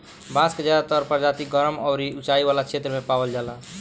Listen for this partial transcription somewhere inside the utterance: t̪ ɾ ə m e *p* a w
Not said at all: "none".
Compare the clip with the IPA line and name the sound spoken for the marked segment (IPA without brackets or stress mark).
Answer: p